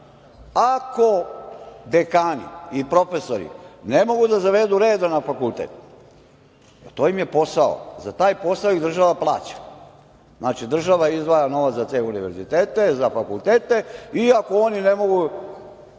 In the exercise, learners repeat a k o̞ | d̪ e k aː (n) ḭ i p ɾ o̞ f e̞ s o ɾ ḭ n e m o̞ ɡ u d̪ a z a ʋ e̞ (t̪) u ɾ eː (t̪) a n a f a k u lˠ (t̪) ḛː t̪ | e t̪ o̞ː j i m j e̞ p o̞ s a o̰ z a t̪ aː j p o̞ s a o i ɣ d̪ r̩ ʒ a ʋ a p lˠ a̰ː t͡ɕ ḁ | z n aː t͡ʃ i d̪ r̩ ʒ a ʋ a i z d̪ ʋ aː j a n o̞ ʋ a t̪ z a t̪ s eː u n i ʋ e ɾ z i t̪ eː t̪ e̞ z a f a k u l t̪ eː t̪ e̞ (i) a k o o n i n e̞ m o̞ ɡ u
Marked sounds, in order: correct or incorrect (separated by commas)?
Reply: correct, incorrect, incorrect, correct, correct